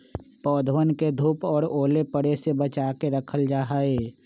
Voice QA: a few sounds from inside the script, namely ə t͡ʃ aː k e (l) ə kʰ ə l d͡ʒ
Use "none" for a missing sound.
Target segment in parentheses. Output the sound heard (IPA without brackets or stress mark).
ɾ